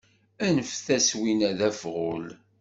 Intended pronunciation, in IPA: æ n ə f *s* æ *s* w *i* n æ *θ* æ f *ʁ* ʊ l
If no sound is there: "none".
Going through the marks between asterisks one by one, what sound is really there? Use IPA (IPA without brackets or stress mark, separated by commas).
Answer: θ, s, i, ð, ʁ